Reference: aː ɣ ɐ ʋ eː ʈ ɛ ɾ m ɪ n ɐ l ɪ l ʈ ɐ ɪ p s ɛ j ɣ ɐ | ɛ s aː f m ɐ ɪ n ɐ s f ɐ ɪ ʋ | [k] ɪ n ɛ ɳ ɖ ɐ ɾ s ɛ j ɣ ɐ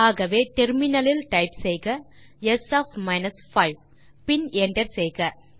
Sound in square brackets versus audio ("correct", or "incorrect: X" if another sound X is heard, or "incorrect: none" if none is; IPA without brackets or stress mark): incorrect: p